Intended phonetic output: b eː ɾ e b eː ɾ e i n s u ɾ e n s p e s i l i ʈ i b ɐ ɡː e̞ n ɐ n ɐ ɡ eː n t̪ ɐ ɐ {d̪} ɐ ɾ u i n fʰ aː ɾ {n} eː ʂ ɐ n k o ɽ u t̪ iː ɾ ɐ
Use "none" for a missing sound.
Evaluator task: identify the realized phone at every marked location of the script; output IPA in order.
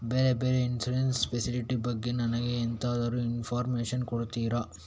d̪, m

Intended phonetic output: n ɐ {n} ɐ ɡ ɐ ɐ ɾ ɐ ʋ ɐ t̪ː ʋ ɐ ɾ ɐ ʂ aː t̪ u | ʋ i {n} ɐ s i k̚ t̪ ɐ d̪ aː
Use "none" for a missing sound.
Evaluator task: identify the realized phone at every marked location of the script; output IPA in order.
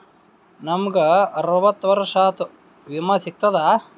m, m

